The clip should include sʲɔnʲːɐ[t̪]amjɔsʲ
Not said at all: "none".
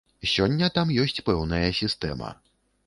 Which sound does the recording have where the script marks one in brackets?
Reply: t̪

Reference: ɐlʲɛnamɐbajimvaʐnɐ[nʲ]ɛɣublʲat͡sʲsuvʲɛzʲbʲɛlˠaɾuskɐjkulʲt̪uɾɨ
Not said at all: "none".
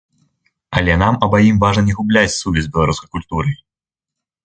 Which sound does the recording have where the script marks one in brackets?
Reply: nʲ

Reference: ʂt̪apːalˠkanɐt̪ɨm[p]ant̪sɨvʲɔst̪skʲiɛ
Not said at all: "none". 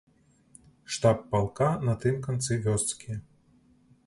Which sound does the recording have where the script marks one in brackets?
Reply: k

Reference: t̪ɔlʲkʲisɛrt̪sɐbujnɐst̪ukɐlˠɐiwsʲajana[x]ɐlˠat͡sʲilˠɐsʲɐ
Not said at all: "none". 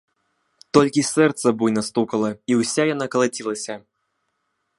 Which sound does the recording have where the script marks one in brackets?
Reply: k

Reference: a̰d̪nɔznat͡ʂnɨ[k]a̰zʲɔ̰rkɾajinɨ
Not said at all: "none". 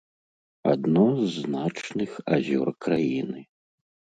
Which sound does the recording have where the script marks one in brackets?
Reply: x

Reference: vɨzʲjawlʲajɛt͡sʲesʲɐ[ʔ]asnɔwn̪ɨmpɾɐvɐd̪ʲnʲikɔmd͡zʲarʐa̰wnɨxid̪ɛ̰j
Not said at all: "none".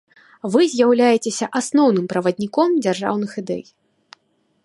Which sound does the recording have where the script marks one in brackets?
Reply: ʔ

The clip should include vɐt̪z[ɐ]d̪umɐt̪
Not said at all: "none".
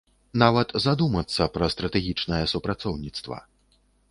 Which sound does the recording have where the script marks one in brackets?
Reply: a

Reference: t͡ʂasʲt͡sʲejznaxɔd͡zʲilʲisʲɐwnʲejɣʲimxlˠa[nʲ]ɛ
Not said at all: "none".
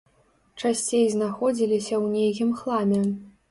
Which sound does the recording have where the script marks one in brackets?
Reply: mʲ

